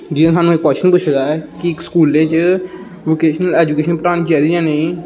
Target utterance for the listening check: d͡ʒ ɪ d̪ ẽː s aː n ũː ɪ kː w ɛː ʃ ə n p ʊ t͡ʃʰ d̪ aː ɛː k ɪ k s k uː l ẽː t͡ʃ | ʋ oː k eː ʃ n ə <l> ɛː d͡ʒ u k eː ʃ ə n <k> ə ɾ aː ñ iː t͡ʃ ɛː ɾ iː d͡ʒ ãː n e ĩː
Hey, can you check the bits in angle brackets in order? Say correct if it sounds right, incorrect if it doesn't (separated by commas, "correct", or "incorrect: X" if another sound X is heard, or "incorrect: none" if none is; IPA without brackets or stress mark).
correct, incorrect: p